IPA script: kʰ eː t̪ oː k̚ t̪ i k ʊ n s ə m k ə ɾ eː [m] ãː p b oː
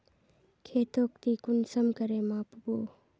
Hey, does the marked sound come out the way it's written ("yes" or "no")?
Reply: yes